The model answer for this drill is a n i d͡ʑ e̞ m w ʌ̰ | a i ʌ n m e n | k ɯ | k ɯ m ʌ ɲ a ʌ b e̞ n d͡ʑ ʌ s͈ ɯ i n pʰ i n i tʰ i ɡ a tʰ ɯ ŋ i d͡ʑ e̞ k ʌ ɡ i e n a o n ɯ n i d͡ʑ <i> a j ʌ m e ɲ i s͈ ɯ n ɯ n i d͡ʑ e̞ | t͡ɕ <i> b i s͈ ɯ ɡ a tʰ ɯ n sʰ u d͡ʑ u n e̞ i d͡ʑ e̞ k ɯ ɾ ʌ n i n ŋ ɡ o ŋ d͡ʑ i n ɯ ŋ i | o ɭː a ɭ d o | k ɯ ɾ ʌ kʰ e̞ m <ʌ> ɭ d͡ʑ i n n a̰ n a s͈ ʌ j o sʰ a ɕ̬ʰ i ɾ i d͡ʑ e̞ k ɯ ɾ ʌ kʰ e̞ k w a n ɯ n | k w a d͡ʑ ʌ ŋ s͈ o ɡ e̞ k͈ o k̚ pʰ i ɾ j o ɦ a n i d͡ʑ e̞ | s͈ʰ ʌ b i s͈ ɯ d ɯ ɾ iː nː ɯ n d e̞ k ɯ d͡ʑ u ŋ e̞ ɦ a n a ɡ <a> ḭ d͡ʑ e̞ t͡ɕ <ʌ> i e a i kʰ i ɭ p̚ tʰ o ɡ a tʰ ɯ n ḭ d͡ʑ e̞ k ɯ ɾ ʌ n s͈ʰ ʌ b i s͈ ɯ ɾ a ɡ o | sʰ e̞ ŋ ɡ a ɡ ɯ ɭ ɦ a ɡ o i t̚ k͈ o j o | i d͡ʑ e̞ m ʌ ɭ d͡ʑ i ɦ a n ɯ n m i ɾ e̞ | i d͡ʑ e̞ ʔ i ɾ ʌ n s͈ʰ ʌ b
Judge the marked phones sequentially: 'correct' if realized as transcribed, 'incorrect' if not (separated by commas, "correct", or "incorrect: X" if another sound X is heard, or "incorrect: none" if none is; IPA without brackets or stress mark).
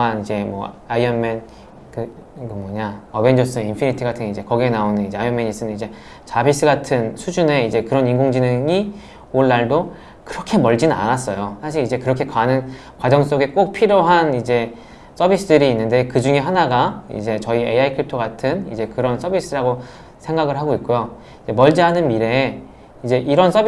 incorrect: e, incorrect: a, correct, correct, correct